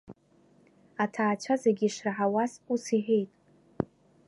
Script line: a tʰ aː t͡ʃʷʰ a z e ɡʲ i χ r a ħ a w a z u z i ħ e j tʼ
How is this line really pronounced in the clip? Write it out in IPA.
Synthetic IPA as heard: a tʰ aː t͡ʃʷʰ a z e ɡʲ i ʂ r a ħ a w a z u s i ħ e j tʼ